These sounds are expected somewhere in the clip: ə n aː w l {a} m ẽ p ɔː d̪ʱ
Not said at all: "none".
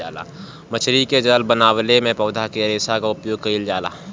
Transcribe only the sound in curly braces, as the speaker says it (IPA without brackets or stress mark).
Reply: e